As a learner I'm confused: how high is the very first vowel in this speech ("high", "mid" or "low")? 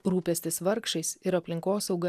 high